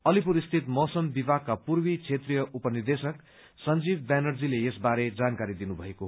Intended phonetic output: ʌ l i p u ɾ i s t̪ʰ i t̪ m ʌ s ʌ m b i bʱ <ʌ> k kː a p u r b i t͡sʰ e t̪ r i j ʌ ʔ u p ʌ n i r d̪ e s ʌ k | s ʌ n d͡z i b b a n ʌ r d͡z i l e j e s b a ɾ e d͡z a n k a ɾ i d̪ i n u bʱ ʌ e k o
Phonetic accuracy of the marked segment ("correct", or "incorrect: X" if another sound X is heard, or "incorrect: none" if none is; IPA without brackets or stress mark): incorrect: a